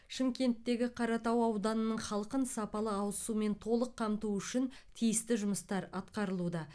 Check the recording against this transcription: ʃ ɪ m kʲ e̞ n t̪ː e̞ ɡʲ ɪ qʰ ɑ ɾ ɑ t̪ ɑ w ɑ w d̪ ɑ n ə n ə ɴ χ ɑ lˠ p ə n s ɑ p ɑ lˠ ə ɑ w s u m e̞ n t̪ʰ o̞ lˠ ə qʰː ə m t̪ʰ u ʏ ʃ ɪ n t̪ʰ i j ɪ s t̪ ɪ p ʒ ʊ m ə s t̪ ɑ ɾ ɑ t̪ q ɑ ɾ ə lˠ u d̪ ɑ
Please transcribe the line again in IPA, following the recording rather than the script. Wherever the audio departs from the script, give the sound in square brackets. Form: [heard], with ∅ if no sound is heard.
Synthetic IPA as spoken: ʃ ɪ m kʲ e̞ n t̪ː e̞ ɡʲ ɪ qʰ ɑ ɾ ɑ t̪ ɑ w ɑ w d̪ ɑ n ə n ə ɴ χ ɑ lˠ [q] ə n s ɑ p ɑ lˠ ə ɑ w s u m e̞ n t̪ʰ o̞ lˠ ə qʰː [ɑ] m [t̪] u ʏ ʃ ɪ n t̪ʰ i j ɪ s t̪ ɪ [∅] ʒ ʊ m ə s t̪ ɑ ɾ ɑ t̪ q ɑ ɾ ə lˠ u d̪ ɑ